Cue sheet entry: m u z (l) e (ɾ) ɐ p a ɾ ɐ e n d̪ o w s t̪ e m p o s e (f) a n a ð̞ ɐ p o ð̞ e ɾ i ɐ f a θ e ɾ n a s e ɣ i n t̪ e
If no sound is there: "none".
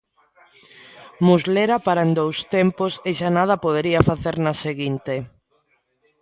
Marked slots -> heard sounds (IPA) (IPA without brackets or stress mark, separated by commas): l, ɾ, ʃ